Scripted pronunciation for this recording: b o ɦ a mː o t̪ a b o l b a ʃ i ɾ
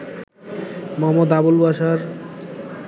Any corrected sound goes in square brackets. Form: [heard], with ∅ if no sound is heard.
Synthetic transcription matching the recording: [m] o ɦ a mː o [d̪] a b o l b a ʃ [a] ɾ